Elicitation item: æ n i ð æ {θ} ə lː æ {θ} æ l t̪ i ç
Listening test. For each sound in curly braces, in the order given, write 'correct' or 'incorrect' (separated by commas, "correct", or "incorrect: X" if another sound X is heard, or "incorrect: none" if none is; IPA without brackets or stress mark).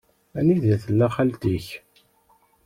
correct, incorrect: χ